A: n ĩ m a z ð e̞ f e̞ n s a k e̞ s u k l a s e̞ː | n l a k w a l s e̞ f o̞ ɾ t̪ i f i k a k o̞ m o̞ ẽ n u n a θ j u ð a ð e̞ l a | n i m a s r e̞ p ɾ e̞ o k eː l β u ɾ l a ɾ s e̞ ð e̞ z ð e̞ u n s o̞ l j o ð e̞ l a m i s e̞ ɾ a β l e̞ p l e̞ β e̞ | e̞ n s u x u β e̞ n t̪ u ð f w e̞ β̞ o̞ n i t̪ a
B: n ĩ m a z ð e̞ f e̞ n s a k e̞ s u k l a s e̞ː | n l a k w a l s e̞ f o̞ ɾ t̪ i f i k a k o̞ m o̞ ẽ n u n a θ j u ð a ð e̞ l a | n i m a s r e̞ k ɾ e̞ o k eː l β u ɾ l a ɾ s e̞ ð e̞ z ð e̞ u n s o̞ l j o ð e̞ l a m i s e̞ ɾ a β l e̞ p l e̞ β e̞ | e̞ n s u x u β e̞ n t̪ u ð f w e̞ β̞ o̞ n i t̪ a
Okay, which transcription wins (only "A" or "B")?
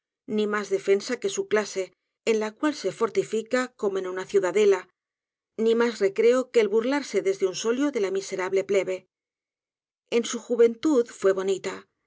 B